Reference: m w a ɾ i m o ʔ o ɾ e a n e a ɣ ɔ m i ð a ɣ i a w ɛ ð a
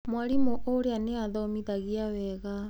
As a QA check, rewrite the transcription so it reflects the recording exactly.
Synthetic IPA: m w a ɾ i m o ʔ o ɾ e a n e a ð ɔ m i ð a ɣ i a w ɛ ɣ a